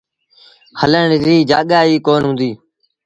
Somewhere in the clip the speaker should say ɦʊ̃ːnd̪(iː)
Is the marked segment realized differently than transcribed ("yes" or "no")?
no